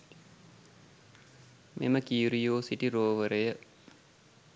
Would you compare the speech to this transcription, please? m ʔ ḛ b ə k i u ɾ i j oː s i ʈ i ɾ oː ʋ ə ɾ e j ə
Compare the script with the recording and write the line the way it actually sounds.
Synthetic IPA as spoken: m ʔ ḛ m ə k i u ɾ i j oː s i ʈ i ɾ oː ʋ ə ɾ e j ə